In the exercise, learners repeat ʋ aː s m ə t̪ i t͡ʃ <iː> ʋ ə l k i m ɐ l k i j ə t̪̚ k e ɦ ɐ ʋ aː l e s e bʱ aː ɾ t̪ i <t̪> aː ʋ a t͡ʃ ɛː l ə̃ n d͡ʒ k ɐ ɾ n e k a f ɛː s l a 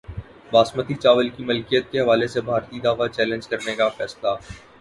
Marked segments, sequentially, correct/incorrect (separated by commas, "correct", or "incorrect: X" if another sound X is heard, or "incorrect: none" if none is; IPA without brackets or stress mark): incorrect: aː, incorrect: d̪